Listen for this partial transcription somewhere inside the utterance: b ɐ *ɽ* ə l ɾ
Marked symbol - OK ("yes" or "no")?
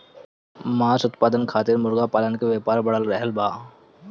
yes